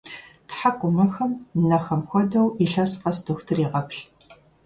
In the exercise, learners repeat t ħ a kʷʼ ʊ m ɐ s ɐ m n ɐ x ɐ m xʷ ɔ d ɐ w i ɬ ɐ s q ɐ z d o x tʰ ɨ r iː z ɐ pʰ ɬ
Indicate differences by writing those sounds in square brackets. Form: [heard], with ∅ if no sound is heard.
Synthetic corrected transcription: t ħ a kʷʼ ʊ m ɐ [x] ɐ m n ɐ x ɐ m xʷ ɔ d ɐ w i ɬ ɐ s q ɐ [s] d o x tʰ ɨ r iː [ʁ] ɐ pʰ ɬ